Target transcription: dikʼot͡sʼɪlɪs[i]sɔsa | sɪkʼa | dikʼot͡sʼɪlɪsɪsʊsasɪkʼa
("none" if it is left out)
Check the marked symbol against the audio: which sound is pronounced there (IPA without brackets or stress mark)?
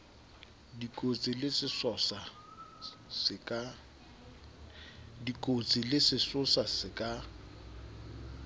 ɪ